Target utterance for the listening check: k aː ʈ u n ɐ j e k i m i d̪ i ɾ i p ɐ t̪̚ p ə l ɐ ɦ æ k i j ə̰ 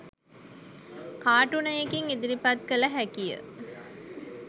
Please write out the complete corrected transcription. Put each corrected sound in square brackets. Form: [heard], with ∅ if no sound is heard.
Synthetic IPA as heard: k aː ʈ u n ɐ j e k i [ŋ] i d̪ i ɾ i p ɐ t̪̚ [k] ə l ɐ ɦ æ k i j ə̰